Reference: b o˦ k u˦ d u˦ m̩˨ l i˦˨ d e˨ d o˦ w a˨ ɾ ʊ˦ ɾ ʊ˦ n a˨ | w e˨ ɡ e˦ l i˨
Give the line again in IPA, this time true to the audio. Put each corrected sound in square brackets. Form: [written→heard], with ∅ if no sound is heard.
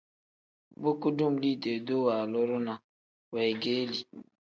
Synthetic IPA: b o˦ k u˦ d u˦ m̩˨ l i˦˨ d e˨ d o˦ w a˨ [ɾ→l] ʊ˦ ɾ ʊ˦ n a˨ | w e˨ ɡ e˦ l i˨